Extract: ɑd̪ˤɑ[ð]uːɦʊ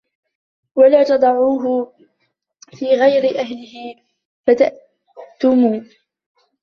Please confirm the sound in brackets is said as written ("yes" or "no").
no